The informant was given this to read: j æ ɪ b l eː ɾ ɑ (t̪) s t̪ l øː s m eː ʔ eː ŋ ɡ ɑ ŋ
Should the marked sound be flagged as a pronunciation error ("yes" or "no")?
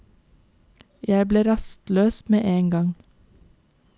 yes